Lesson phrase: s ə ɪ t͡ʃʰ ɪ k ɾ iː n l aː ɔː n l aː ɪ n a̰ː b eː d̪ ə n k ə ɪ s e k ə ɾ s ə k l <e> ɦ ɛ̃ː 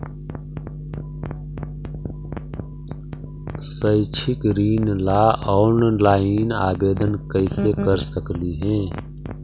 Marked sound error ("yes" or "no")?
yes